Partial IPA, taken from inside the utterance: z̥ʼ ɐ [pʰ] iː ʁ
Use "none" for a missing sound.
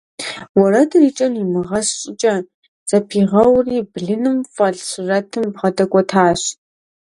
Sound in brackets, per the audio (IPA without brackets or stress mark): pʰ